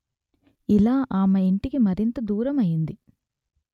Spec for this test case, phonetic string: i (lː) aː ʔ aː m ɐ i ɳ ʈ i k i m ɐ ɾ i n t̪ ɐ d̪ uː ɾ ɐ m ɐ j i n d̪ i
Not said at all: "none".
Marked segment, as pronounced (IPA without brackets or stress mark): l